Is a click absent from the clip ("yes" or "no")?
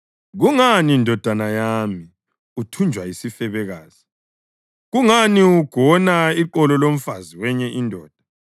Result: no